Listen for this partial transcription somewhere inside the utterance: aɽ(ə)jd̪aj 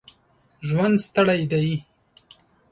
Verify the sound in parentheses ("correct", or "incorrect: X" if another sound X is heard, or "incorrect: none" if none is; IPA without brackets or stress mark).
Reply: incorrect: a